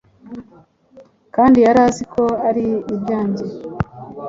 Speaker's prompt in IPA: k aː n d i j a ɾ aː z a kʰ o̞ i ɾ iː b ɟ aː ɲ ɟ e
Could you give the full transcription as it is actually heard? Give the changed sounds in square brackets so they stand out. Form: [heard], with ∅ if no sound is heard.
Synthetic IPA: k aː n d i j a ɾ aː z [i] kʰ o̞ [a] ɾ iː b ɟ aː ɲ ɟ e